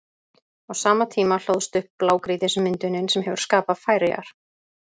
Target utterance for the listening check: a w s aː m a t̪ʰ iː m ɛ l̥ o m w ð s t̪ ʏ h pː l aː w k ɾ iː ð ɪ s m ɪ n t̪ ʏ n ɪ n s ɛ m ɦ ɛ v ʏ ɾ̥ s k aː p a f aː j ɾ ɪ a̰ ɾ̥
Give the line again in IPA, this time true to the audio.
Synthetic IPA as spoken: a w s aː m a t̪ʰ iː m a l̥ o w ð s t̪ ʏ h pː l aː w k ɾ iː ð ɪ s m ɪ n t̪ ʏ n ɪ n s ɛ m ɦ ɛ v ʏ ɾ̥ s k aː p a f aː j ɾ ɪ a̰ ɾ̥